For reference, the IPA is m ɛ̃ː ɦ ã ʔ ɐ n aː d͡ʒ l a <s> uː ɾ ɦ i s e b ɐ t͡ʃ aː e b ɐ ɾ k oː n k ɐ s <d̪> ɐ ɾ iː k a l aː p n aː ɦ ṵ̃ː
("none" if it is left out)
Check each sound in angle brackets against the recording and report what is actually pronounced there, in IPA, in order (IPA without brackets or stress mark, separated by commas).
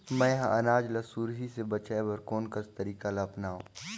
s, t̪